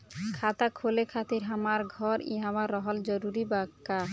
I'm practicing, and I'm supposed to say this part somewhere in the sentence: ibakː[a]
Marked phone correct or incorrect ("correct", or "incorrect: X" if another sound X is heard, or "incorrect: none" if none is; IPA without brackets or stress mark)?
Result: correct